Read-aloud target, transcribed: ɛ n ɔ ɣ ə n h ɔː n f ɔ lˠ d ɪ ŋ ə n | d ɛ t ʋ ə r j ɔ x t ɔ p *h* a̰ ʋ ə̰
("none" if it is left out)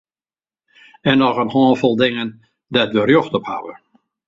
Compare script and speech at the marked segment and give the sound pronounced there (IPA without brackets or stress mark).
h